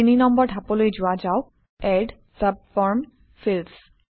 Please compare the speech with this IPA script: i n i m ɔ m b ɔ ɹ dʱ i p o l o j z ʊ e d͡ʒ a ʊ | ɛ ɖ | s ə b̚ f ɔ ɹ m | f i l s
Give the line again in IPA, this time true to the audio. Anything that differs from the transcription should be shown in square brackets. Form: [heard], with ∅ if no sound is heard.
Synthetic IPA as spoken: i n i [n] ɔ m b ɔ ɹ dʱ [a] p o l o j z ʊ [a] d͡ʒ a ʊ | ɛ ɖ | s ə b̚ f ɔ ɹ m | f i l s